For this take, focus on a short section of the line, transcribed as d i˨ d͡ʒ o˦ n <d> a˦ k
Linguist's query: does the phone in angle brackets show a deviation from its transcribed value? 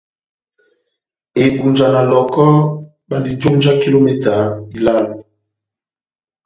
yes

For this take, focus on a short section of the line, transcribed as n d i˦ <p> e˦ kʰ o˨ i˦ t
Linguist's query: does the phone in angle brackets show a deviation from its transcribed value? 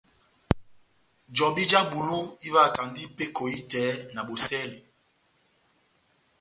no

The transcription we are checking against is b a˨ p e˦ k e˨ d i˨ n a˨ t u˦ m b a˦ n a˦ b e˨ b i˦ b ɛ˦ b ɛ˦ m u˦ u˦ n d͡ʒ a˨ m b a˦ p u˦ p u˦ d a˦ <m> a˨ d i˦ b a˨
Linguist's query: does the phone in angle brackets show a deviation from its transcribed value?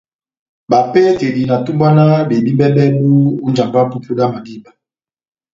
no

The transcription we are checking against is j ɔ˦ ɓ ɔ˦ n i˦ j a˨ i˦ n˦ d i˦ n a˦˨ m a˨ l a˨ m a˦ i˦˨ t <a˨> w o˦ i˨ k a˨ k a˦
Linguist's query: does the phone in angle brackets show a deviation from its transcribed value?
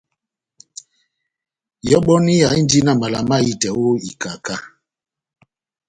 yes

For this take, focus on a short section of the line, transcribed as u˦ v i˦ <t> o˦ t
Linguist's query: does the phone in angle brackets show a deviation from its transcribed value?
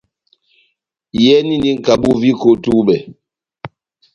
yes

